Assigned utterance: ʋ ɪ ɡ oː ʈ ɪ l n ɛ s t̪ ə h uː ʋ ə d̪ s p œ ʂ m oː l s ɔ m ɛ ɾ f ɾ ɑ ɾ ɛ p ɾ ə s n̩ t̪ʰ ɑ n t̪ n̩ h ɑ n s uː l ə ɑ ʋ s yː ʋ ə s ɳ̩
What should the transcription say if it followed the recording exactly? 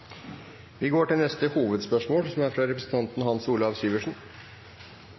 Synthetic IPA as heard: ʋ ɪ ɡ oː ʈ ɪ l n ɛ s t̪ ə h uː ʋ ə d̪ s p œ ʂ m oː l s ɔ m æ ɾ f ɾ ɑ ɾ ɛ p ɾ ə s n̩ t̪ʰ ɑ n t̪ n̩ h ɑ n s uː l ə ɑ ʋ s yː ʋ ə ʂ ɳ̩